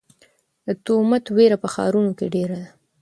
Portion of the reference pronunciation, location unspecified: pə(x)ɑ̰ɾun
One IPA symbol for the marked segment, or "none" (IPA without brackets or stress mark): x